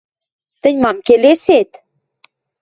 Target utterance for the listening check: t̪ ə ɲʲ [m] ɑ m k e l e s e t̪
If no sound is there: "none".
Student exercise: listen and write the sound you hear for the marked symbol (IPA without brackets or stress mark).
m